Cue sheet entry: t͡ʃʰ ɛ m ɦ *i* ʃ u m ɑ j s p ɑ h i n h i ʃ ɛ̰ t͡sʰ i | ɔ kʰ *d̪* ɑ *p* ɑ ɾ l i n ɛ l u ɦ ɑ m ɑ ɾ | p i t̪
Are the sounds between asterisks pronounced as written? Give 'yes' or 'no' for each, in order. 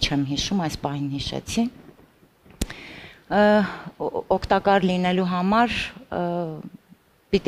yes, no, no

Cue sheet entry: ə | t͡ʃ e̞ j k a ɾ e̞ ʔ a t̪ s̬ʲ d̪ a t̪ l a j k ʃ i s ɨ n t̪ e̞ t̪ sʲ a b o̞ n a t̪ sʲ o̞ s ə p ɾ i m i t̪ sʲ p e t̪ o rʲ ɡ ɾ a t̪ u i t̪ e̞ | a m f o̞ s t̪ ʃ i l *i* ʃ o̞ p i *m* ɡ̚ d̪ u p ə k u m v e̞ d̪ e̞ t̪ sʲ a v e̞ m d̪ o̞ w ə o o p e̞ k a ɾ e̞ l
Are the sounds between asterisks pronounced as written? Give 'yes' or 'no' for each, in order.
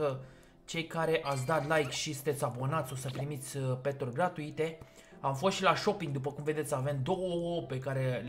no, no

